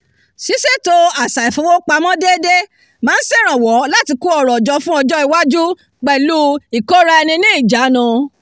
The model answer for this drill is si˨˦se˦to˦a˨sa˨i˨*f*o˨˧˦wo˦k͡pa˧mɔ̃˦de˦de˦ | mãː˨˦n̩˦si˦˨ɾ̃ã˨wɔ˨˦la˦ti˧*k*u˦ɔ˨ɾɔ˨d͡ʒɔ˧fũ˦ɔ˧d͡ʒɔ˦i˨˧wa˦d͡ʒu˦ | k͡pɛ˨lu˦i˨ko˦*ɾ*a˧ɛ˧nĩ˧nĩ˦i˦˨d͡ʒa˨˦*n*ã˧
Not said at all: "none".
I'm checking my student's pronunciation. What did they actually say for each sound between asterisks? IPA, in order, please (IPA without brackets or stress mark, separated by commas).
f, k, ɾ, n